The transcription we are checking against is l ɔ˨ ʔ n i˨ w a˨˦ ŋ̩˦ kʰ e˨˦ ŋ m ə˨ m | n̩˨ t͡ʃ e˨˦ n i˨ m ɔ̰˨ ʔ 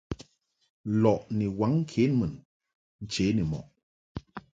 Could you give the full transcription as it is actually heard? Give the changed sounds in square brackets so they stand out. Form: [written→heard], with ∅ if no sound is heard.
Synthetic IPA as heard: l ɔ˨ ʔ n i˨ w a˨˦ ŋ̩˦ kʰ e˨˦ [ŋ→n] m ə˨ [m→n] | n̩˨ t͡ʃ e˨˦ n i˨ m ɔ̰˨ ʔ